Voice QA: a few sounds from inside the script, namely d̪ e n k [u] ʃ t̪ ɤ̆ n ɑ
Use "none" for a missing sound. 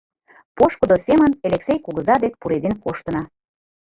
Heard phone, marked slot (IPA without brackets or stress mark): o